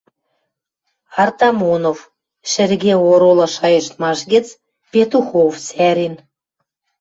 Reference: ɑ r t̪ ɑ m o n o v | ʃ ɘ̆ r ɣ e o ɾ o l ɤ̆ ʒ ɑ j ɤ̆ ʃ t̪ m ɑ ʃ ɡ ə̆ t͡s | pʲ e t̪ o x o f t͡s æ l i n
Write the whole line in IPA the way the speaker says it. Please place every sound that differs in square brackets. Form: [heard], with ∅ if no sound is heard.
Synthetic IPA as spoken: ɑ r t̪ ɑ m o n o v | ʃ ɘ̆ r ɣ e o ɾ o l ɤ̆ [ʃ] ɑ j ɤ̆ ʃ t̪ m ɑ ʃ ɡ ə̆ t͡s | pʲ e t̪ [u] x o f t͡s æ [ɾ] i n

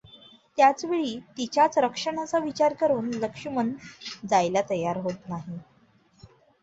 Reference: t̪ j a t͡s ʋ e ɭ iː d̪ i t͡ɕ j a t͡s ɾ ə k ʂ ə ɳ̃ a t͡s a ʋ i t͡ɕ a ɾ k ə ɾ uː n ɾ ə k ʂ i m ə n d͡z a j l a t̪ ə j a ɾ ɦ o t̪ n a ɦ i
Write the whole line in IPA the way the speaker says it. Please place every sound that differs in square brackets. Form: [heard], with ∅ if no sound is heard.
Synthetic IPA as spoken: t̪ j a t͡s ʋ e ɭ iː [t̪] i t͡ɕ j a t͡s ɾ ə k ʂ ə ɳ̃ a t͡s a ʋ i t͡ɕ a ɾ k ə ɾ uː n [l] ə k ʂ i m ə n d͡z a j l a t̪ ə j a ɾ ɦ o t̪ n a ɦ i

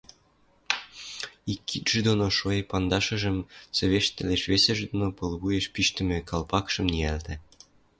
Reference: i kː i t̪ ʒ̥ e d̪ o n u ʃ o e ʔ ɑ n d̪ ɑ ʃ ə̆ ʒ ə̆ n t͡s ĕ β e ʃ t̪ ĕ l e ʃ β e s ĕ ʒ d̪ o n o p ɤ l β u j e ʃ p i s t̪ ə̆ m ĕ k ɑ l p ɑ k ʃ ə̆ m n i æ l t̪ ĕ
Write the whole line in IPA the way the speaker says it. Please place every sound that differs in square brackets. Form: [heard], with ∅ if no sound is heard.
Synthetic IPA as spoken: i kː i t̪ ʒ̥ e d̪ o n [o] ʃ o e [p] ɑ n d̪ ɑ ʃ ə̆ ʒ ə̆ [m] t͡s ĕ β e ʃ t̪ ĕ l e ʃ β e s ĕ ʒ d̪ o n o p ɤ l β u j e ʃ p i [ʃ] t̪ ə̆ m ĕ k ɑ l p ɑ k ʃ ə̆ m n i æ l t̪ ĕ

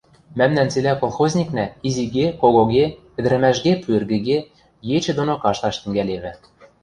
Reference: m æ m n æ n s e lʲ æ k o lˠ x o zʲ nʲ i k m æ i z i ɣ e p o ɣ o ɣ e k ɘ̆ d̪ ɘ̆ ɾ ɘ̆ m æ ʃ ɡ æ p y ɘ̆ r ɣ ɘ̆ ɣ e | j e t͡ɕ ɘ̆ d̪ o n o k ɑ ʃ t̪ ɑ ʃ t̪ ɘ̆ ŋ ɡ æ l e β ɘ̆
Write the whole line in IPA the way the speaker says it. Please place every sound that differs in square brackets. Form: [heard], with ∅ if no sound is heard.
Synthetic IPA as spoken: m æ m n æ n [t͡s] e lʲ æ k o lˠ x o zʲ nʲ i k [n] æ i z i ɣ e [k] o ɣ o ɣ e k ɘ̆ d̪ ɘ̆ ɾ ɘ̆ m æ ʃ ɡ [e] p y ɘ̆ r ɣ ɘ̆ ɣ e | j e t͡ɕ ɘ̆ d̪ o n o k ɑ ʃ t̪ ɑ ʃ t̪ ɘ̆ ŋ ɡ æ l e β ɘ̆

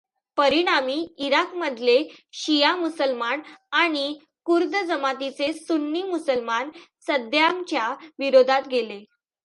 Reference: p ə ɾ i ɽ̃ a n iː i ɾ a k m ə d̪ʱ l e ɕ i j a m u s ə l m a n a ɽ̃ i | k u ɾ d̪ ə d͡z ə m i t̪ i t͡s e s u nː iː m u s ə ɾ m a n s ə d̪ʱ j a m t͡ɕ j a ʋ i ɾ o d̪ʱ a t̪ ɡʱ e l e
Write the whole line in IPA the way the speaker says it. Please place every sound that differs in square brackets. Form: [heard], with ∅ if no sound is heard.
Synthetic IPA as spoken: p ə ɾ i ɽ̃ a [m] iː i ɾ a k m ə d̪ʱ l e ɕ i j a m u s ə l m a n a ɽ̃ i | k u ɾ d̪ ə d͡z ə m [a] t̪ i t͡s e s u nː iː m u s ə [l] m a n s ə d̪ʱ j a m t͡ɕ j a ʋ i ɾ o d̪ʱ a t̪ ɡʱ e l e

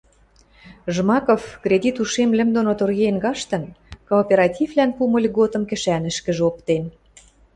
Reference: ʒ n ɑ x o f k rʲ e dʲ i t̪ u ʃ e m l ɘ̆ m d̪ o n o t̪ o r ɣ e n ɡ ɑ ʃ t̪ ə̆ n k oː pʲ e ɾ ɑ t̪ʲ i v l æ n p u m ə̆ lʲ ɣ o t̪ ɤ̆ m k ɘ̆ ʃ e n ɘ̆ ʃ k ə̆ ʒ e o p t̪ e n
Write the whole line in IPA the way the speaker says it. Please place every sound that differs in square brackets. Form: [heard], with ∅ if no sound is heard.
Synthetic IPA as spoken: ʒ [m] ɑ [k] o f k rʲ e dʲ i t̪ u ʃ e m l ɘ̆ m d̪ o n o t̪ o r ɣ e n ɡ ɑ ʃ t̪ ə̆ n k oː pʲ e ɾ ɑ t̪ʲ i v l æ n p u m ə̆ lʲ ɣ o t̪ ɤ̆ m k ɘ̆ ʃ [æ] n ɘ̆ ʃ k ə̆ ʒ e o p t̪ e n

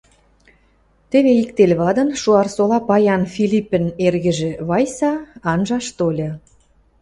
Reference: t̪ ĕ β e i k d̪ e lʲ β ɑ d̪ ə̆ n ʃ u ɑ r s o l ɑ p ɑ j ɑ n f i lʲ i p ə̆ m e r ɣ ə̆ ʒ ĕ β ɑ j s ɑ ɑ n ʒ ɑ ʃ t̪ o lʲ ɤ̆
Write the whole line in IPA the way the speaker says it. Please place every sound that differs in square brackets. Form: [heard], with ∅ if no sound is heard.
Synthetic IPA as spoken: t̪ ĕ β e i k [t̪] e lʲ β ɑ d̪ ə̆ n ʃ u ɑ r s o l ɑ p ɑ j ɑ n f i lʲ i p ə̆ [n] e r ɣ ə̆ ʒ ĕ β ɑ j s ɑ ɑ n ʒ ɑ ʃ t̪ o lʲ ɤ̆

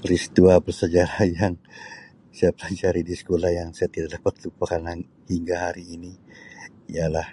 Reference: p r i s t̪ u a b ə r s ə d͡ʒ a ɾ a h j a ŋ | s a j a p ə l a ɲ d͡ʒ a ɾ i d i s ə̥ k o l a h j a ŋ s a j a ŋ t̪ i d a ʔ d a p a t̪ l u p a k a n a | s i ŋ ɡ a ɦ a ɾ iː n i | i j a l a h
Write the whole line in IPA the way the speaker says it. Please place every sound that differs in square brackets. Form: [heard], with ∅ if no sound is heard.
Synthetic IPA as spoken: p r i s t̪ u a b ə r s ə d͡ʒ a ɾ a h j a ŋ | s a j a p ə l a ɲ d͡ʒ a ɾ i d i s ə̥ k o l a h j a ŋ s a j a [∅] t̪ i d a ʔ d a p a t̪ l u p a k a n a | [h] i ŋ ɡ a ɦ a ɾ iː n i | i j a l a h

